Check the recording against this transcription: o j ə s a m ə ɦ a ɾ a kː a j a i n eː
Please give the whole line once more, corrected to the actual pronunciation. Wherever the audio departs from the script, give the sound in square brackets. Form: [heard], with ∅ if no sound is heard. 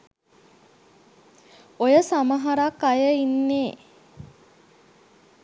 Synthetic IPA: o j ə s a m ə ɦ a ɾ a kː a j [ə] i [nː] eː